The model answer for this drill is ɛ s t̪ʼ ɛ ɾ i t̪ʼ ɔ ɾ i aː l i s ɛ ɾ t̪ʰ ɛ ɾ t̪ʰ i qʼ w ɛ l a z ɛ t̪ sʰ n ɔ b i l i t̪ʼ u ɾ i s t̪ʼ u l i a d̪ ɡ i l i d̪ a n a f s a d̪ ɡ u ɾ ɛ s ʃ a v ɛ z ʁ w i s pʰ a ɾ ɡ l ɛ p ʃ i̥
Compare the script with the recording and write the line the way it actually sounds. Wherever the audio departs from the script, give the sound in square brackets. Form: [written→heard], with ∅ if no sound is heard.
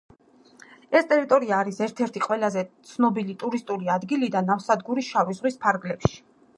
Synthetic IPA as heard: ɛ s t̪ʼ ɛ ɾ i t̪ʼ ɔ ɾ i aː [l→ɾ] i s ɛ ɾ t̪ʰ ɛ ɾ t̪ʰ i qʼ w ɛ l a z ɛ t̪ sʰ n ɔ b i l i t̪ʼ u ɾ i s t̪ʼ u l i a d̪ ɡ i l i d̪ a n a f s a d̪ ɡ u ɾ [ɛ→i] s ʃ a v [ɛ→i] z ʁ w i s pʰ a ɾ ɡ l ɛ p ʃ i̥